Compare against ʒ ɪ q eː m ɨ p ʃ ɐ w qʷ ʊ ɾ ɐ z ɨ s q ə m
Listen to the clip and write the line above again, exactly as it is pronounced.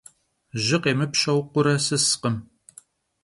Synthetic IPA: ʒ ɪ q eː m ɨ p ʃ ɐ w qʷ ʊ ɾ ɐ s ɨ s q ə m